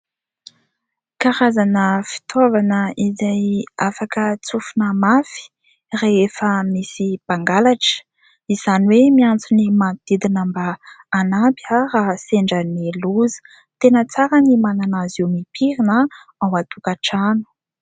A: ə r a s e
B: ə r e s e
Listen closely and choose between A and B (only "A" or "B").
A